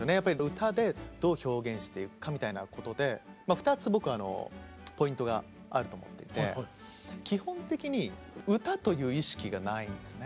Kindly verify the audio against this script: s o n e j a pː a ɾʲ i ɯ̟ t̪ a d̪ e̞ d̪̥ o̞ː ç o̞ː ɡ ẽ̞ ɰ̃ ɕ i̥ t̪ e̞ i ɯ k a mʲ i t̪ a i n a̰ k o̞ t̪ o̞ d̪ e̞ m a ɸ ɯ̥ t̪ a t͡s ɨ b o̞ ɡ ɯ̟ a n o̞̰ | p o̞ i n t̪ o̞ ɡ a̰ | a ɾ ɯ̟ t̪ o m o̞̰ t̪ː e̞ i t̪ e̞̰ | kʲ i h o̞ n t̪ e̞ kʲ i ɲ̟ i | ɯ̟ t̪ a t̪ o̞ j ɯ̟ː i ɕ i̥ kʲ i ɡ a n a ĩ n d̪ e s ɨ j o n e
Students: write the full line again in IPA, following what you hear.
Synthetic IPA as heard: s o n e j a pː a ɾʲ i ɯ̟ t̪ a d̪ e̞ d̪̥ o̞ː ç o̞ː ɡ ẽ̞ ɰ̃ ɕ i̥ t̪ e̞ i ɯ k a mʲ i t̪ a i n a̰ k o̞ t̪ o̞ d̪ e̞ m a ɸ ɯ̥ t̪ a t͡s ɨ b o̞ k ɯ̟ a n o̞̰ | p o̞ ĩ n t̪ o̞ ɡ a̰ | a ɾ ɯ̟ t̪ o m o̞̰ t̪ː e̞ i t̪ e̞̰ | kʲ i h õ̞ n t̪ e̞ kʲ i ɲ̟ i | ɯ̟ t̪ a t̪ o̞ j ɯ̟ː i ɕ i̥ kʲ i ɡ a n a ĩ n d̪ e s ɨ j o n e

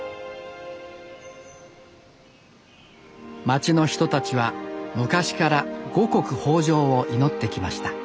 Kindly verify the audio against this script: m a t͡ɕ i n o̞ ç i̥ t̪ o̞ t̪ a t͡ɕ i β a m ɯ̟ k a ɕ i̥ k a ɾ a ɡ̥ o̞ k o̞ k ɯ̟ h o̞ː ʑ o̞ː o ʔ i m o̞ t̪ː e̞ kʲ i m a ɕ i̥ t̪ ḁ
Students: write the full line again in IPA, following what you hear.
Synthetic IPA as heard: m a t͡ɕ i n o̞ ç i̥ t̪ o̞ t̪ a t͡ɕ i β a m ɯ̟ k a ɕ i̥ k a ɾ a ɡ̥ o̞ k o̞ k ɯ̟ h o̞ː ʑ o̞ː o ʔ i n o̞ t̪ː e̞ kʲ i m a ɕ i̥ t̪ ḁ

